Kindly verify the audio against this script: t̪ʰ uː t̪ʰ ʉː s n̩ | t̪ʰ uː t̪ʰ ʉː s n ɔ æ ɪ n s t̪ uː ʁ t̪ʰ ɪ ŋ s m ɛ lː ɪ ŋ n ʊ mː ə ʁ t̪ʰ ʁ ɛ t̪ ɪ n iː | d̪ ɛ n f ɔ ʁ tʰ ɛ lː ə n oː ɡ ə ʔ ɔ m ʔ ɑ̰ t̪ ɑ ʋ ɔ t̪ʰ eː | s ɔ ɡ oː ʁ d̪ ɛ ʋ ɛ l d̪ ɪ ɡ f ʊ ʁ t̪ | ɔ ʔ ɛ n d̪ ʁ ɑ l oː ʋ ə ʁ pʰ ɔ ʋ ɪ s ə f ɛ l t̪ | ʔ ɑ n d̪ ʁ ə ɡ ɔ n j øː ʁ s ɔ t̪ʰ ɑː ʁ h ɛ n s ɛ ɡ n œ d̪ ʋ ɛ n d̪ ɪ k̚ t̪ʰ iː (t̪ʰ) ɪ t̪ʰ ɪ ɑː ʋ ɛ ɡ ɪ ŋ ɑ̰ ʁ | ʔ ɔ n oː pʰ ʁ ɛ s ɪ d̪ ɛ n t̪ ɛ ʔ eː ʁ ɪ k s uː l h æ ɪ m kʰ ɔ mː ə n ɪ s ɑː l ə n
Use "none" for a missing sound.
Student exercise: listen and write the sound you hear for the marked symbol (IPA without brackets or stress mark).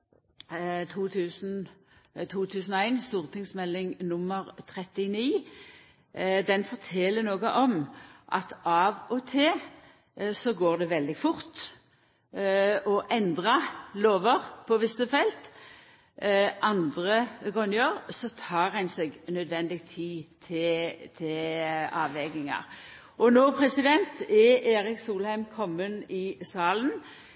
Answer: t̪ʰ